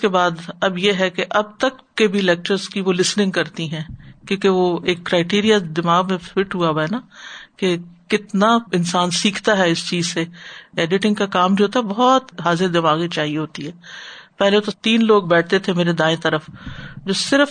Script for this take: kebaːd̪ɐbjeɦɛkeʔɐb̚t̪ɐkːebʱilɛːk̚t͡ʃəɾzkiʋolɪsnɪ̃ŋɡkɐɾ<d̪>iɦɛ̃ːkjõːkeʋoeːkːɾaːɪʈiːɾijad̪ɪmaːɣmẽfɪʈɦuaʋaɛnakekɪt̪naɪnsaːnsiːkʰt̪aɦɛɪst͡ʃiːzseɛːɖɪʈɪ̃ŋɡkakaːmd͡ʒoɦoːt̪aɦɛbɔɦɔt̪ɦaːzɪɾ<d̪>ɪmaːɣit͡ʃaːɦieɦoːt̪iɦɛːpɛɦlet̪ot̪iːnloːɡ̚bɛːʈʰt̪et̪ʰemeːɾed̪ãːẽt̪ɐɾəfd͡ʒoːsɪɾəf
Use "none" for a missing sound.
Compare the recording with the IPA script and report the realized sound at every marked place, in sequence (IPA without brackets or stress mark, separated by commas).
t̪, d̪